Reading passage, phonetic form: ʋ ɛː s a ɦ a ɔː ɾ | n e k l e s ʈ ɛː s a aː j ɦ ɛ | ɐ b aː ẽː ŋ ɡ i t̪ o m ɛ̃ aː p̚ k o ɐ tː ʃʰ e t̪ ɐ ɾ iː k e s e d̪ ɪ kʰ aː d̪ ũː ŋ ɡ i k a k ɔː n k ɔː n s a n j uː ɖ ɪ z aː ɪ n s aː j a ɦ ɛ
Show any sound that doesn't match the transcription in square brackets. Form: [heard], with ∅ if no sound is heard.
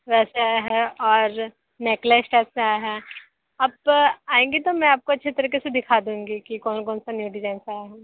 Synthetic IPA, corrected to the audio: ʋ ɛː s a ɦ [ɛ] ɔː ɾ | n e k l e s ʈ ɛː s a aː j ɦ ɛ | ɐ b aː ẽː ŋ ɡ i t̪ o m ɛ̃ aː p̚ k o ɐ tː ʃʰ e t̪ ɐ ɾ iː k e s e d̪ ɪ kʰ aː d̪ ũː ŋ ɡ i k [i] k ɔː n k ɔː n s a n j uː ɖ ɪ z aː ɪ n s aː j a ɦ ɛ